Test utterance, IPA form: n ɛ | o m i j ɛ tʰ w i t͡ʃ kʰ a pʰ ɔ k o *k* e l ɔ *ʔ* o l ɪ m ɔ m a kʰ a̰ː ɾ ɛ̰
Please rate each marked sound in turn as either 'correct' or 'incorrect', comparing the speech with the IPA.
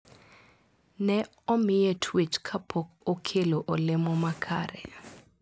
incorrect: kʰ, correct

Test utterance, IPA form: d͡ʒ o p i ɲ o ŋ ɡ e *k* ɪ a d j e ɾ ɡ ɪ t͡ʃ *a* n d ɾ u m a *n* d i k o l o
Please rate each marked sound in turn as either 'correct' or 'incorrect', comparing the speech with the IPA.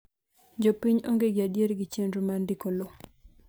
incorrect: ɡ, incorrect: e, correct

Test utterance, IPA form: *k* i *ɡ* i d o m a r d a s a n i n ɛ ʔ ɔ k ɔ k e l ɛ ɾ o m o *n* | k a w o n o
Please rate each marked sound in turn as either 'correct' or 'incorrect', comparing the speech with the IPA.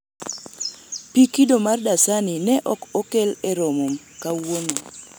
incorrect: p, incorrect: k, incorrect: m

